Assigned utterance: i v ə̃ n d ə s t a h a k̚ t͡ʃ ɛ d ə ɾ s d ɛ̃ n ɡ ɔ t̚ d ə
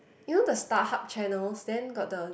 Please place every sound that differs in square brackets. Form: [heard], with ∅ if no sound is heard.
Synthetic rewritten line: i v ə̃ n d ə s t a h a [p̚] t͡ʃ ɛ [n] ə [l] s d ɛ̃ n ɡ ɔ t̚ d ə